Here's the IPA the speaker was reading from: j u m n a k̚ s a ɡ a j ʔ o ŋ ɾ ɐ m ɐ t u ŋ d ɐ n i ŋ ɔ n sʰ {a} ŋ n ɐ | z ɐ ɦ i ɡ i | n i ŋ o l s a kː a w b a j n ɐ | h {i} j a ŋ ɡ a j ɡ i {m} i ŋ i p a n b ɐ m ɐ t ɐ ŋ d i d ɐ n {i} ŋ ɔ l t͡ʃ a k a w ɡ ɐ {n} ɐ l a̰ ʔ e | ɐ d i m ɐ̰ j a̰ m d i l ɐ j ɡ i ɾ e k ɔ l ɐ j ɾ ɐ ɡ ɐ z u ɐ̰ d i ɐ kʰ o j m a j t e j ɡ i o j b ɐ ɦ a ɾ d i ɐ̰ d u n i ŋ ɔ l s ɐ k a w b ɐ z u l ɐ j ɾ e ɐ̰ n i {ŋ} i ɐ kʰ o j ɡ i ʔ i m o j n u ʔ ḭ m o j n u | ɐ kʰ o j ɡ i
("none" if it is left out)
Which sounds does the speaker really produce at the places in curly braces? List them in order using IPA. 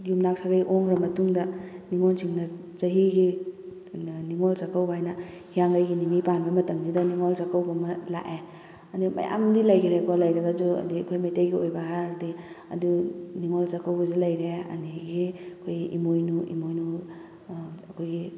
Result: i, i, n, i, m, ɡ

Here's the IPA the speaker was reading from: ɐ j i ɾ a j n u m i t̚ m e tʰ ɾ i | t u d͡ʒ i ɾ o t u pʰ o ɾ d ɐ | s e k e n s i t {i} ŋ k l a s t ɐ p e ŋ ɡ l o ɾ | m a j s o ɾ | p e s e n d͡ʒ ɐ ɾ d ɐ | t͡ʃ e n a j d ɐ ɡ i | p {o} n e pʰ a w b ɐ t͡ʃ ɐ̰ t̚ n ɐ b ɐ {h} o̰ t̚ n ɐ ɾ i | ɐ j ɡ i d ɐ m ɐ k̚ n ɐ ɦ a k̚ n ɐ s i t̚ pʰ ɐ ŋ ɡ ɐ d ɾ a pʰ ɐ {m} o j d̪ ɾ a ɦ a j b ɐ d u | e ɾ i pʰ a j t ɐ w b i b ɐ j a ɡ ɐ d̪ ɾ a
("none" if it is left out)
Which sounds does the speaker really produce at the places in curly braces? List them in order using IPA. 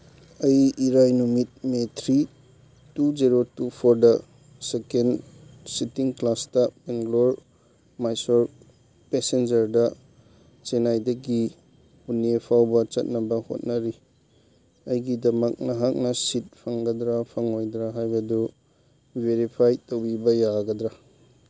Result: i, u, h, ŋ

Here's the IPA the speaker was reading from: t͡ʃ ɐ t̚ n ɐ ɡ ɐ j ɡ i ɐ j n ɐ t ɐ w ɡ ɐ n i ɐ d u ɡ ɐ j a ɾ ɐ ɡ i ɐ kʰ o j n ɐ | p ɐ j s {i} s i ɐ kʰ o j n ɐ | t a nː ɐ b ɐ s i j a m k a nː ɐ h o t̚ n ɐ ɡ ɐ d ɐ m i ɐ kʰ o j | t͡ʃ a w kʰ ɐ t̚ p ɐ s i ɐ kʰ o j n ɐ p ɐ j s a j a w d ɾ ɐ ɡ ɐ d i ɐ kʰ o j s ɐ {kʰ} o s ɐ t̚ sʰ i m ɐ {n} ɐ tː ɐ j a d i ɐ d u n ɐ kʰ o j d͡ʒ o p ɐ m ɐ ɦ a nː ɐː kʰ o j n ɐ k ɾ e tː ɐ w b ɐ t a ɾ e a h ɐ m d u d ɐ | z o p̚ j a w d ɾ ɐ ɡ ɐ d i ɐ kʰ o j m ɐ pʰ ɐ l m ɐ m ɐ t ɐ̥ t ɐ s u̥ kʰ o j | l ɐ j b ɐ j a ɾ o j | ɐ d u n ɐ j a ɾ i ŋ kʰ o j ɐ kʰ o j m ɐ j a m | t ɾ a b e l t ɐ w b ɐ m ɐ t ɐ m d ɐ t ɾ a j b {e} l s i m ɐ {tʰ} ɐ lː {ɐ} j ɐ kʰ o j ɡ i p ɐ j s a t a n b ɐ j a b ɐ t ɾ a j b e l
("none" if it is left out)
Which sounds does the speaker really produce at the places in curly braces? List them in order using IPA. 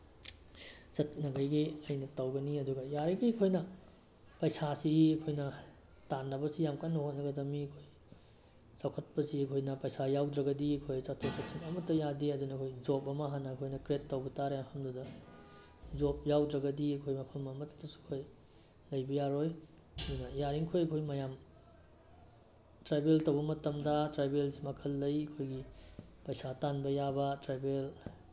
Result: a, tʰ, m, e, kʰ, ɐ

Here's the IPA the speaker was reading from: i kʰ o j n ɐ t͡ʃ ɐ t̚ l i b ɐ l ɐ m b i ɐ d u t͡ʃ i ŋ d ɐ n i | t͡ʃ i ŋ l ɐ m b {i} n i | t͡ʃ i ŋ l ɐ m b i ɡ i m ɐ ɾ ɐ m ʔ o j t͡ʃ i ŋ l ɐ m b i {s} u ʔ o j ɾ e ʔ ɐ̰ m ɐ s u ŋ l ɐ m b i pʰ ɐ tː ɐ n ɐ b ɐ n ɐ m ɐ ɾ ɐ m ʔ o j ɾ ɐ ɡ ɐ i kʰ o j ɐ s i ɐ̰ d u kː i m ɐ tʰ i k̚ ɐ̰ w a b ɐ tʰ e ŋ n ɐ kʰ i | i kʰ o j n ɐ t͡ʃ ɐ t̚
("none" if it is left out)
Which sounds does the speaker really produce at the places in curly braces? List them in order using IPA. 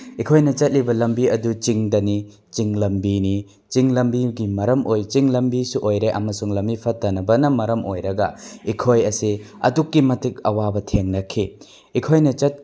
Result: i, s

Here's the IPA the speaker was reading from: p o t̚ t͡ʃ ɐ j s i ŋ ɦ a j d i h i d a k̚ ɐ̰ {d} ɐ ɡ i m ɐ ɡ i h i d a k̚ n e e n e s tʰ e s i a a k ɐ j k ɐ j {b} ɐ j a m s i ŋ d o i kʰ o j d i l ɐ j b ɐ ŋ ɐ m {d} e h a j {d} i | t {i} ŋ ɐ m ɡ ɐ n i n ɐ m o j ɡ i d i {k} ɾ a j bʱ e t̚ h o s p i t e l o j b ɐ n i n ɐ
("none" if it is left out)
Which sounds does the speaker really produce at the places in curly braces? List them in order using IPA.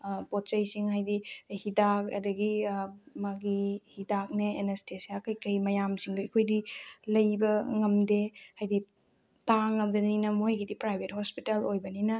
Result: d, m, d, d, a, p

